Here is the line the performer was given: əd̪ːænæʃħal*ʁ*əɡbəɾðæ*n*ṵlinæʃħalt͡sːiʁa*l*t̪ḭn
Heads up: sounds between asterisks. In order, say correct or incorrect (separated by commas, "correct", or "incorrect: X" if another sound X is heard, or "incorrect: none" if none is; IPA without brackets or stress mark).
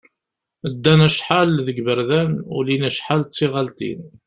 incorrect: ð, correct, correct